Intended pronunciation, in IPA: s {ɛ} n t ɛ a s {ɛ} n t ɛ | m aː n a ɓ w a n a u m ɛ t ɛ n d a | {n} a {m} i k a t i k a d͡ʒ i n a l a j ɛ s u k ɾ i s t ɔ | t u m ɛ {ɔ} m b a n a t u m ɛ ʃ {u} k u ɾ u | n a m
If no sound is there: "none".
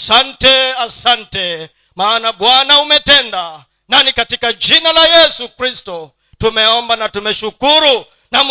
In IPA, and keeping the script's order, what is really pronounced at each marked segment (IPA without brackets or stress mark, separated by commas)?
a, a, n, n, ɔ, u